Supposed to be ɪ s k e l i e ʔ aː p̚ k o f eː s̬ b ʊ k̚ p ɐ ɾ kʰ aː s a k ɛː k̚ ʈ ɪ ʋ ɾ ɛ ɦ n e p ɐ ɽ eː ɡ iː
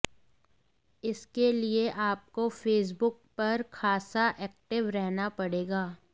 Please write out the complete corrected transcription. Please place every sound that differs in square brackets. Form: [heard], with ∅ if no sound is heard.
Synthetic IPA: ɪ s k e l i e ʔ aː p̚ k o f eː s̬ b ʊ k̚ p ɐ ɾ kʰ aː s a [ʔ] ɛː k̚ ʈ ɪ ʋ ɾ ɛ ɦ n [a] p ɐ ɽ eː ɡ [aː]